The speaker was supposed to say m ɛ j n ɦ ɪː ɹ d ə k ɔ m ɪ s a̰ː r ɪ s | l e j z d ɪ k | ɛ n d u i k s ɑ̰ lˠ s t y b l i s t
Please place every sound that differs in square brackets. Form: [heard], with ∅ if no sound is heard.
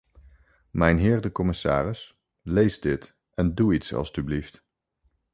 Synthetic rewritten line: m ɛ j n ɦ ɪː ɹ d ə k ɔ m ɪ s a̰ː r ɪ s | l e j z d ɪ [t] | ɛ n d u i [t] s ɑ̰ lˠ s t y b l i [f] t